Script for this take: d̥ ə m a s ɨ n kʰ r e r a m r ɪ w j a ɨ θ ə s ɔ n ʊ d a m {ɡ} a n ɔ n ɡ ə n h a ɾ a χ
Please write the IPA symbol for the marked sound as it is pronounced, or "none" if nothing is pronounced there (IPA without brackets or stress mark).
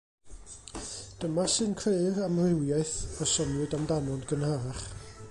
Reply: d